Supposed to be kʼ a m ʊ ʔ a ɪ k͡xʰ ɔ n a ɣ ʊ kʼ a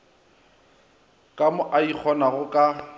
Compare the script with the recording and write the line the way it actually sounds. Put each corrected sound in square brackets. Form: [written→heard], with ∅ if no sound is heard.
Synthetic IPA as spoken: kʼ a m ʊ ʔ a [ɪ→i] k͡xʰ ɔ n a ɣ ʊ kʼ a